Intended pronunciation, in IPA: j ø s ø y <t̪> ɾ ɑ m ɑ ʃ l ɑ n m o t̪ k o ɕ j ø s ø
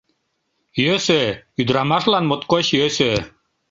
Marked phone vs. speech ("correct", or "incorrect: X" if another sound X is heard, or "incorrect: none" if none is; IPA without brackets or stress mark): incorrect: d̪